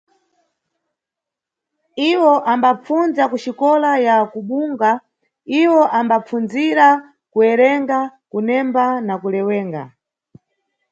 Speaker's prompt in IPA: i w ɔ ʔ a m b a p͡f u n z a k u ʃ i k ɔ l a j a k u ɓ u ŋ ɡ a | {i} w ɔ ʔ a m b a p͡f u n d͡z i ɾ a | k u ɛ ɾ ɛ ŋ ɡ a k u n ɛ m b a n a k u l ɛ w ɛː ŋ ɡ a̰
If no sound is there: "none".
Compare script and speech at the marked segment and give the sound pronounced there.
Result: i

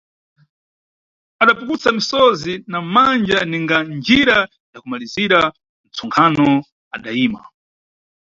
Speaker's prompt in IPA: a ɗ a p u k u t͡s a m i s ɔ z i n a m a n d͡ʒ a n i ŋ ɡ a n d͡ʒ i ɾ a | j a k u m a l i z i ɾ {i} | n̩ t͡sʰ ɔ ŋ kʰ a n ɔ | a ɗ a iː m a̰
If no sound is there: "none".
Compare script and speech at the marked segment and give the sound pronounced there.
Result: a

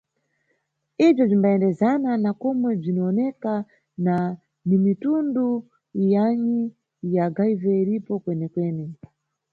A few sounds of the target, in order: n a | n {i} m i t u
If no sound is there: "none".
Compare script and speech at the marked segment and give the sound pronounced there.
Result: i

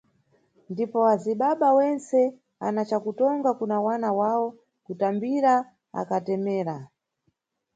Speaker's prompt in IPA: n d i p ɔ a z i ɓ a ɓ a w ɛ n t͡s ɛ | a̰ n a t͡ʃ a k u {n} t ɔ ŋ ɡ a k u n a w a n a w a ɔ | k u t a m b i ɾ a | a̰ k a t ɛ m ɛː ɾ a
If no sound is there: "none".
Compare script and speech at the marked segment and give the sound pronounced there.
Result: none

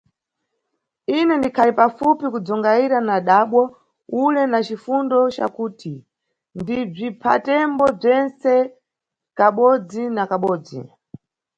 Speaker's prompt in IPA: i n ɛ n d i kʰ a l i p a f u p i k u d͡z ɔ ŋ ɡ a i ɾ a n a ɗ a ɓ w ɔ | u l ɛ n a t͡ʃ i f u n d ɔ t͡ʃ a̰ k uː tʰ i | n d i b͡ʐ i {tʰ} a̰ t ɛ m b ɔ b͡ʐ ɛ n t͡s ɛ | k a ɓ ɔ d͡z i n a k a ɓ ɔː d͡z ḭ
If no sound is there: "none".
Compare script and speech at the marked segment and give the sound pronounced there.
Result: pʰ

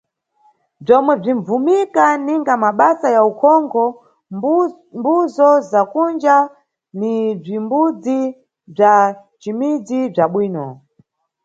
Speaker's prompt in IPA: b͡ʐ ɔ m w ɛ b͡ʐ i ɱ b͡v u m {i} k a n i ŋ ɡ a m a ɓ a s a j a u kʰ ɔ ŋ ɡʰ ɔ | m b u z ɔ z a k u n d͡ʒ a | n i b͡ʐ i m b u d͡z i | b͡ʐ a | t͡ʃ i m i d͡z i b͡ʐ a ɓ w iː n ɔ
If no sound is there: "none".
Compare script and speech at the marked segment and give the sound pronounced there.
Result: i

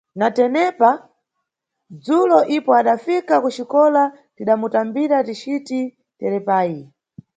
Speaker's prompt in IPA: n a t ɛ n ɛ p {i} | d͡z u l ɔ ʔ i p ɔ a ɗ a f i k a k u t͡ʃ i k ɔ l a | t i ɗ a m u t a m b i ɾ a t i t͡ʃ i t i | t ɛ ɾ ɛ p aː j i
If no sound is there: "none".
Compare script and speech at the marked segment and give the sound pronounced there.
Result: a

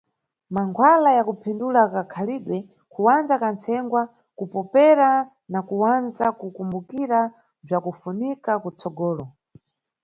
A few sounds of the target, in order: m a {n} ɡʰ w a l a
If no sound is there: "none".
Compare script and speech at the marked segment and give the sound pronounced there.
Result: ŋ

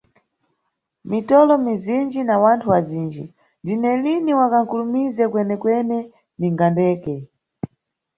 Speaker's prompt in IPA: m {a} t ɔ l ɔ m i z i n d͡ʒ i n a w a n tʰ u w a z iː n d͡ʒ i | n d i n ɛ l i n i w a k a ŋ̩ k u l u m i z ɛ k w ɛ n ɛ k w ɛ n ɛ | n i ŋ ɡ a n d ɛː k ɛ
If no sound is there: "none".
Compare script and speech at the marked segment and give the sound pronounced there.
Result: i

